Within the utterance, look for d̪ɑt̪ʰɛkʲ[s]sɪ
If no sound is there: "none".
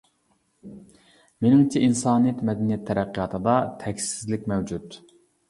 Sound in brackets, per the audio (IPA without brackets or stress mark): s